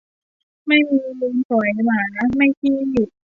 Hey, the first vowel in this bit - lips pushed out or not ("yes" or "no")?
no